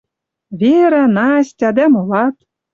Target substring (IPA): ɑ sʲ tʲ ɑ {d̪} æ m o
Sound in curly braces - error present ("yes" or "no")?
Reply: no